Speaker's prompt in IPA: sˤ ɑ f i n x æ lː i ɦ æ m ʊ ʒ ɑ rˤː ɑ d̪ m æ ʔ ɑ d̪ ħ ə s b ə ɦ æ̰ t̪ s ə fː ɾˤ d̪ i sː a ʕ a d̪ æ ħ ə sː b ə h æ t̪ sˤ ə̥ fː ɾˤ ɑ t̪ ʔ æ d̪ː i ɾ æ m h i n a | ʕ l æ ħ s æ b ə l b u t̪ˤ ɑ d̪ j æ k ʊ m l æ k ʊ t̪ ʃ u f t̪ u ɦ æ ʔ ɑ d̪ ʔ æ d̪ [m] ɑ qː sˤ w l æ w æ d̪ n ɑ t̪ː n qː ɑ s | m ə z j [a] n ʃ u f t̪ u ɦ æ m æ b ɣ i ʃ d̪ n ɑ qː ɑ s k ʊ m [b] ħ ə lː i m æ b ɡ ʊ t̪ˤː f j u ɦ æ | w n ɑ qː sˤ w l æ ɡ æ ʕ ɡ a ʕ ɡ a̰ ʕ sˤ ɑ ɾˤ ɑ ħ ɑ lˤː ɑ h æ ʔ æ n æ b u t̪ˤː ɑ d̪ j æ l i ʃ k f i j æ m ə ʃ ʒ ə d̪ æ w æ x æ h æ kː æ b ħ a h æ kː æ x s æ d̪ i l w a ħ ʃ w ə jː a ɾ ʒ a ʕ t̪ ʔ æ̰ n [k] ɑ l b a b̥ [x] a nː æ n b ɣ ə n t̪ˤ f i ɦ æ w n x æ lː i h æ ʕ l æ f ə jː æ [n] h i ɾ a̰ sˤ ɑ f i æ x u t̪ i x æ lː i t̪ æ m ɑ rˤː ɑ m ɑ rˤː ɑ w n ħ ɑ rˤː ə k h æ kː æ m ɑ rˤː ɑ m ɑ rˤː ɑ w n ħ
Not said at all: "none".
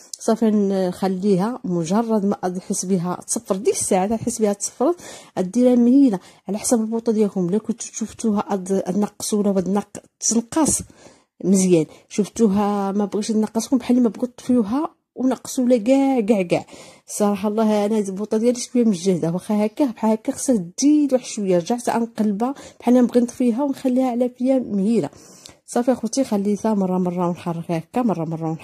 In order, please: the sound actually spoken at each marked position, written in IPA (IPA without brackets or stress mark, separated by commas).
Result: n, æ, b, q, ħ, m